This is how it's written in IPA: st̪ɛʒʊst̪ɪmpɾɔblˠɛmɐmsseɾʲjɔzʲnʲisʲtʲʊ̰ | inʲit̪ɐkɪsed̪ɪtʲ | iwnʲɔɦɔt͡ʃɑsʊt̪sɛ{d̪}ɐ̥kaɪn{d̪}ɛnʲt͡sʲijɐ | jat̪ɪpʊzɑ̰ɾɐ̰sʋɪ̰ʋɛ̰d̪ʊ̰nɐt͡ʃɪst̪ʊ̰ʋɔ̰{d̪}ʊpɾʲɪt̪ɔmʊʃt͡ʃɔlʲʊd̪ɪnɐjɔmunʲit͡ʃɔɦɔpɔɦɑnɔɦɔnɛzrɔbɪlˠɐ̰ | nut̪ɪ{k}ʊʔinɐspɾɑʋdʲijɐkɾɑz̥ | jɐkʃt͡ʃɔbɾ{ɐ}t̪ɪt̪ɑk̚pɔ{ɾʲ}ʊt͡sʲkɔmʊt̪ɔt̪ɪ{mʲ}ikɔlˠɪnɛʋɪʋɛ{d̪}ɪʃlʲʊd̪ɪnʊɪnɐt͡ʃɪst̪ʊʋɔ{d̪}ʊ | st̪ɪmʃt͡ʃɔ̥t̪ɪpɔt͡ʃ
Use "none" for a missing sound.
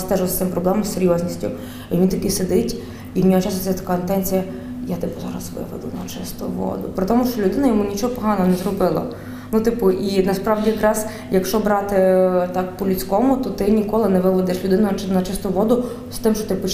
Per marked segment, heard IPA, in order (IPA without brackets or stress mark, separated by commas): t̪, t̪, d̪, p, ɑ, lʲ, nʲ, d̪, d̪